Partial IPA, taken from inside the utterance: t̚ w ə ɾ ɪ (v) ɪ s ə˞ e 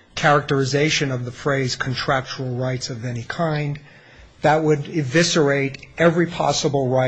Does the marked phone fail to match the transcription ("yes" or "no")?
no